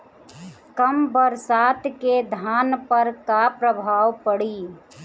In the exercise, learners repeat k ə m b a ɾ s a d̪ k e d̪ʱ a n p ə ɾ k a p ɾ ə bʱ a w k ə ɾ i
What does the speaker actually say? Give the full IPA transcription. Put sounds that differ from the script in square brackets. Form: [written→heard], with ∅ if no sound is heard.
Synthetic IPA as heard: k ə m b [a→ə] ɾ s a [d̪→t̪] k e d̪ʱ a n p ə ɾ k a p ɾ ə bʱ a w [k→p] ə [ɾ→ɽ] i

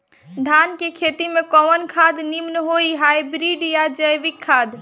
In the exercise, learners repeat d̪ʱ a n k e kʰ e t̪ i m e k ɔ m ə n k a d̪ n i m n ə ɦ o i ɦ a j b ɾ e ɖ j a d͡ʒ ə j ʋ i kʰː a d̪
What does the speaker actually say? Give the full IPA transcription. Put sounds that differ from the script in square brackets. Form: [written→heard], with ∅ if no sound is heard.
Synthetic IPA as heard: d̪ʱ a n k e kʰ e t̪ i m e k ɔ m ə n [k→kʰ] a d̪ n i m n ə ɦ o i ɦ a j b ɾ [e→i] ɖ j a d͡ʒ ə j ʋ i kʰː a d̪

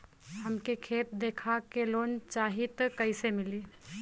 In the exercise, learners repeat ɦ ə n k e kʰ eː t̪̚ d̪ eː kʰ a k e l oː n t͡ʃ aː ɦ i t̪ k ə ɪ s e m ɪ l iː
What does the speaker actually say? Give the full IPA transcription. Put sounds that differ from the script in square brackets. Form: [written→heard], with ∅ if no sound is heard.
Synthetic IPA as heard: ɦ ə [n→m] k e kʰ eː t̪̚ d̪ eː kʰ a k e l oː n t͡ʃ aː ɦ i t̪ k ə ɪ s e m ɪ l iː

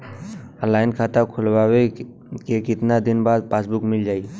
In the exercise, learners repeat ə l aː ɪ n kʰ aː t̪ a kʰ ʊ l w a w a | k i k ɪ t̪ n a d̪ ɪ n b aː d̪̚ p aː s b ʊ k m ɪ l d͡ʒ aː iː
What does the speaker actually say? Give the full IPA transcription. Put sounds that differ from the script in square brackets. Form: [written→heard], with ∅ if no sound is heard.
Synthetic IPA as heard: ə l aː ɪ n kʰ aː t̪ a kʰ ʊ l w a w [a→e] | k [i→e] k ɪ t̪ n a d̪ ɪ n b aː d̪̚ p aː s b ʊ k m ɪ l d͡ʒ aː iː

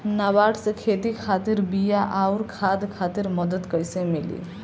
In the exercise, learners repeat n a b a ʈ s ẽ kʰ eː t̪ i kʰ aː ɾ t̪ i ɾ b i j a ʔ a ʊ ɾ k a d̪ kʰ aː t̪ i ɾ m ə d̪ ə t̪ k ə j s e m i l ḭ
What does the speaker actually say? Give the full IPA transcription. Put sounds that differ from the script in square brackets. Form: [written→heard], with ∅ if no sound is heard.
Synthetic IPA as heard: n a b a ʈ s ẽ kʰ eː t̪ i kʰ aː [ɾ→∅] t̪ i ɾ b i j a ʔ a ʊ ɾ [k→kʰ] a d̪ kʰ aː t̪ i ɾ m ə d̪ ə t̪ k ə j s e m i l ḭ

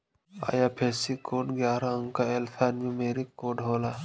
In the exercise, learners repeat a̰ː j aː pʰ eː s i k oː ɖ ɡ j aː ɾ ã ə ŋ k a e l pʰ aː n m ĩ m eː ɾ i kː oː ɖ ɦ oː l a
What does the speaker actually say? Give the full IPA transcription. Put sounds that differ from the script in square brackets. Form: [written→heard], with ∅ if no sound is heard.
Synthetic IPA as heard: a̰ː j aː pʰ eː s i k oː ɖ ɡ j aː ɾ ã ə ŋ k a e l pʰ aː n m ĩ m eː ɾ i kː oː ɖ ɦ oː l a

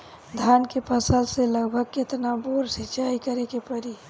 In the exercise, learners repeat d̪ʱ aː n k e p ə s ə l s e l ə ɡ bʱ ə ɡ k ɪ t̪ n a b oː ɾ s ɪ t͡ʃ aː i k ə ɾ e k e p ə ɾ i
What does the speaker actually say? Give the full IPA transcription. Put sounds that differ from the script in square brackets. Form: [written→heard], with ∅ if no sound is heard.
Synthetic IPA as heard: d̪ʱ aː n k e p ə s ə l s e l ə ɡ bʱ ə ɡ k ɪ t̪ n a b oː ɾ s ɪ t͡ʃ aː i k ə ɾ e k e p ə ɾ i

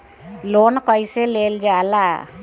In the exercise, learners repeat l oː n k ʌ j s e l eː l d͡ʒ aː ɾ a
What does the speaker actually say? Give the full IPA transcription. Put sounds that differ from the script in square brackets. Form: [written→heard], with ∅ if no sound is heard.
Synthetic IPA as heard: l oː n k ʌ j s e l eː l d͡ʒ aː [ɾ→l] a

